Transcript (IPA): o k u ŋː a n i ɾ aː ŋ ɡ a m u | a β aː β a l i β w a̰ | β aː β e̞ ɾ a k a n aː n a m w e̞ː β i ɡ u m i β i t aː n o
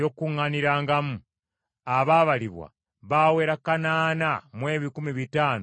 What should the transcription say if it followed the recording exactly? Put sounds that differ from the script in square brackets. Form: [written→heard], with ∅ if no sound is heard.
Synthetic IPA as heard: o k u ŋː a n i ɾ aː ŋ ɡ a m u | a β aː β a l i β w a̰ | β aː [β→w] e̞ ɾ a k a n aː n a m w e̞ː β i [ɡ→k] u m i β i t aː n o